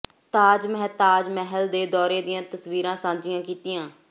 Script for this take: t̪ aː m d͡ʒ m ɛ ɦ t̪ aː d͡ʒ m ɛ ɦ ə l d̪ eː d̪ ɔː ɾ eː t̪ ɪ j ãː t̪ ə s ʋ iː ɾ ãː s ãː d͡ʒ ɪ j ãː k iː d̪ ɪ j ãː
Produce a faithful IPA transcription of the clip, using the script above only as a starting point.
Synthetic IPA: t̪ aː d͡ʒ m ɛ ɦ t̪ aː d͡ʒ m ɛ ɦ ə l d̪ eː d̪ ɔː ɾ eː d̪ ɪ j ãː t̪ ə s ʋ iː ɾ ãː s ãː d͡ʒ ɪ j ãː k iː t̪ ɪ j ãː